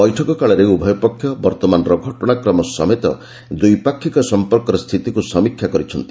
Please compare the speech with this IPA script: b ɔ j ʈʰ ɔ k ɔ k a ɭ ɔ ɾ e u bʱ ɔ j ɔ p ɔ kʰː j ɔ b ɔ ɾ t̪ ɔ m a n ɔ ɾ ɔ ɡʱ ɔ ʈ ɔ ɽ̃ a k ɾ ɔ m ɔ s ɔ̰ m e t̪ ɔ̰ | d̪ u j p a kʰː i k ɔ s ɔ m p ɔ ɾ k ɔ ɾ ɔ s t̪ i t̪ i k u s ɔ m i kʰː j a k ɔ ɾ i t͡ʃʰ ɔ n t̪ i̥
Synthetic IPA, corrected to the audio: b ɔ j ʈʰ ɔ k ɔ k a ɭ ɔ ɾ e u bʱ ɔ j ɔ p ɔ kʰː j ɔ b ɔ ɾ t̪ ɔ m a n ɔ ɾ ɔ ɡʱ ɔ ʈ ɔ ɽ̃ a k ɾ ɔ m ɔ s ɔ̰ m e t̪ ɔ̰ | d̪ u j p a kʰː i k ɔ s ɔ m p ɔ ɾ k ɔ ɾ ɔ s t̪ʰ i t̪ i k u s ɔ m i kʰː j a k ɔ ɾ i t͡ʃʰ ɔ n t̪ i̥